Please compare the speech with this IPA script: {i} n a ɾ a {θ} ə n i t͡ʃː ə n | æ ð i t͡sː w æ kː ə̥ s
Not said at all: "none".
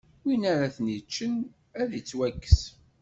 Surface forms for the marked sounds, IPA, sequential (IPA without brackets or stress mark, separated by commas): i, θ